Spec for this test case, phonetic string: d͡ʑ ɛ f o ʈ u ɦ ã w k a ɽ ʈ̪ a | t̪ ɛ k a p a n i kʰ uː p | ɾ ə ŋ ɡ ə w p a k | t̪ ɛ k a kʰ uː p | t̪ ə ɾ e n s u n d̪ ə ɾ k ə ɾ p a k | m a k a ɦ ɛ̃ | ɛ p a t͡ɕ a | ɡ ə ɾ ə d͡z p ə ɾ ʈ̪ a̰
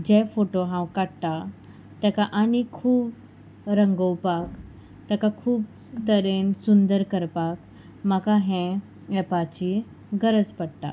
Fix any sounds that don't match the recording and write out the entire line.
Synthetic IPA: d͡ʑ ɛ f o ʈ o ɦ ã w k a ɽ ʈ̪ a | t̪ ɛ k a ʔ a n i kʰ uː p | ɾ ə ŋ ɡ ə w p a k | t̪ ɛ k a kʰ uː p | t̪ ə ɾ e n s u n d̪ ə ɾ k ə ɾ p a k | m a k a ɦ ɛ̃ | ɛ p a t͡ɕ i | ɡ ə ɾ ə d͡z p ə ɽ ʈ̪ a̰

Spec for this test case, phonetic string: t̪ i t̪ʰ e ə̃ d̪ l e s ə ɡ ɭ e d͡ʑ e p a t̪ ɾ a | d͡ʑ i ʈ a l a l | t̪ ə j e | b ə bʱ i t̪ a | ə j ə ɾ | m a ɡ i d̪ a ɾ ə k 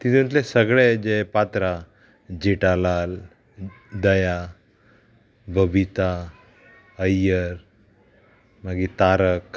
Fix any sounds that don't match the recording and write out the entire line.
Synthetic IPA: t̪ i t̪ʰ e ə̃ t̪ l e s ə ɡ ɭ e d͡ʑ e p a t̪ ɾ a | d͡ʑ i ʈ a l a l | d̪ ə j a | b ə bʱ i t̪ a | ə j ə ɾ | m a ɡ i t̪ a ɾ ə k

